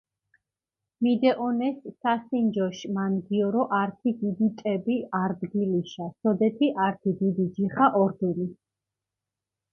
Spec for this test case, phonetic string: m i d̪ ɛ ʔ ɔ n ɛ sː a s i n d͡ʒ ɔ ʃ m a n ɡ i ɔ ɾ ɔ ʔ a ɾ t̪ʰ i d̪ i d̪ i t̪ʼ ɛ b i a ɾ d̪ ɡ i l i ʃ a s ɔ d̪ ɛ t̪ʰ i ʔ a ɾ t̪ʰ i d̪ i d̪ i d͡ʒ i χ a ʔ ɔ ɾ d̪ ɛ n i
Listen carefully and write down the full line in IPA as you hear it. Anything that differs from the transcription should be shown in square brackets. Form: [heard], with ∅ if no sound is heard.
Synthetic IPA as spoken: m i d̪ ɛ ʔ ɔ n ɛ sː a s i n d͡ʒ ɔ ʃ m a n ɡ i ɔ ɾ ɔ ʔ a ɾ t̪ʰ i d̪ i d̪ i t̪ʼ ɛ b i a ɾ d̪ ɡ i l i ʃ a s ɔ d̪ ɛ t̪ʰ i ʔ a ɾ t̪ʰ i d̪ i d̪ i d͡ʒ i χ a ʔ ɔ ɾ d̪ ɛ n i